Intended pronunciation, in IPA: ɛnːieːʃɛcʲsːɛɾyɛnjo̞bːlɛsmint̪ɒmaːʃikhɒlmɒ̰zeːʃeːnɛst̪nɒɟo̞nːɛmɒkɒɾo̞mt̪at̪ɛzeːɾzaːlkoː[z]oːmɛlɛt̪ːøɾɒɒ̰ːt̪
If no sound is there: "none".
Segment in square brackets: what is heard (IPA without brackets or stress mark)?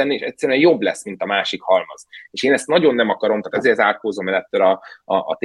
z